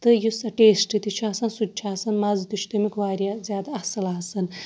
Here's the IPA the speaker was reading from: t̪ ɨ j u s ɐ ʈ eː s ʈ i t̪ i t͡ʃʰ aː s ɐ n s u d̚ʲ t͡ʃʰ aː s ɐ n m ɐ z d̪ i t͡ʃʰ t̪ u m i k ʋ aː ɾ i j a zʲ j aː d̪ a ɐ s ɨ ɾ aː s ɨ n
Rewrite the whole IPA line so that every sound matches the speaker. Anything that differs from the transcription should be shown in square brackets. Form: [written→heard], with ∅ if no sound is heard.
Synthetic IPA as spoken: t̪ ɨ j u s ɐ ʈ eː s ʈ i t̪ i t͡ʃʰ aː s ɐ n s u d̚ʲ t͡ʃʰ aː s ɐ n m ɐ z [d̪→t̪] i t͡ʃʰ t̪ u m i k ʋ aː ɾ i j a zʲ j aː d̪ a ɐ s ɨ [ɾ→l] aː s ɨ n